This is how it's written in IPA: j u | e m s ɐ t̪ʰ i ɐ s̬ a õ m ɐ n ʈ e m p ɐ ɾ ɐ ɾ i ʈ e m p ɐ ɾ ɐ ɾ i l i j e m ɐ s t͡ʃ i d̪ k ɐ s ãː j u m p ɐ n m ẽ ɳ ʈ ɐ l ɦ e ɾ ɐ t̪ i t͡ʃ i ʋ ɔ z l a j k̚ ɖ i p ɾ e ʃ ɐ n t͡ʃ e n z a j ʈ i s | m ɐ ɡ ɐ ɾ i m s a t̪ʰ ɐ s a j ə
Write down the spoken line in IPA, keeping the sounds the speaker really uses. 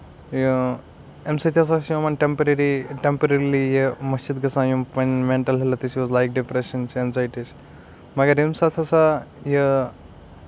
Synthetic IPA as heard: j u | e m s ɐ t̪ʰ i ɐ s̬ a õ m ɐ n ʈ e m p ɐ ɾ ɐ ɾ i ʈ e m p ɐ ɾ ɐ ɾ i l i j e m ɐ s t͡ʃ i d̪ ɡ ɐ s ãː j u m p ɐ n m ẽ ɳ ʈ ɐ l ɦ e l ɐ t̪ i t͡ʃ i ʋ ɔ z l a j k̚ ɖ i p ɾ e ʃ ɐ n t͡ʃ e n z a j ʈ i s | m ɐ ɡ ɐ ɾ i m s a t̪ʰ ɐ s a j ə